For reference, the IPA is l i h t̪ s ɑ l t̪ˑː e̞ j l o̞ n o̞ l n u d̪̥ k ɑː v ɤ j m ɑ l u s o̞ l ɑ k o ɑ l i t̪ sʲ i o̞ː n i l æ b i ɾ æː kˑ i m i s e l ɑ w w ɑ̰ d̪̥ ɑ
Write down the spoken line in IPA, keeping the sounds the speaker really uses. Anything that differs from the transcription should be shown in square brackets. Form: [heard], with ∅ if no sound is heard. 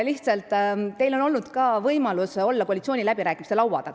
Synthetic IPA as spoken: l i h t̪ s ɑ l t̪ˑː e̞ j l o̞ n o̞ l n u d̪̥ k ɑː v ɤ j m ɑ l u s o̞ [lː] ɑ k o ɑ l i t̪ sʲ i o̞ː n i l æ b i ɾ æː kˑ i m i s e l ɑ w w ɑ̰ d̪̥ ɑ